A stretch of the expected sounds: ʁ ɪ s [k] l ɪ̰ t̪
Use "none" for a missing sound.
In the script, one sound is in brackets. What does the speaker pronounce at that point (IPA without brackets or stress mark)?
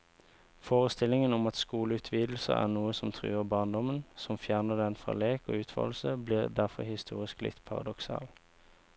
k